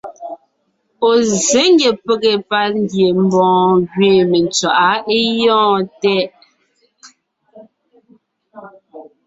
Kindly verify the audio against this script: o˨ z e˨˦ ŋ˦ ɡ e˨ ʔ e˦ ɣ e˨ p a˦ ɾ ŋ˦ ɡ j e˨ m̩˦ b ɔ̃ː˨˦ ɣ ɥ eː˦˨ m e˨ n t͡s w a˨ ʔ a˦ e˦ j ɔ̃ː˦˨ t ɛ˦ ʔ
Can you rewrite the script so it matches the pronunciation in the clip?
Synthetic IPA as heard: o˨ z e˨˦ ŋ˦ ɡ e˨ p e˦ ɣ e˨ p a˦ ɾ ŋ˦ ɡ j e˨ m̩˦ b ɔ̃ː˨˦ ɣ ɥ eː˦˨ m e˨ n t͡s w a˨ ʔ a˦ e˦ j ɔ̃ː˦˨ t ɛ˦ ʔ